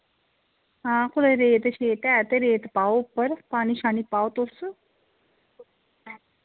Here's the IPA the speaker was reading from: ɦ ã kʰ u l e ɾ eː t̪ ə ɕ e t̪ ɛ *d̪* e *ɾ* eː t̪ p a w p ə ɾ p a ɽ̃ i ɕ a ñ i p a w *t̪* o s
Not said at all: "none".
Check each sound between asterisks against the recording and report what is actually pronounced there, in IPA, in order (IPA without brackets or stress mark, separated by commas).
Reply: t̪, ɾ, t̪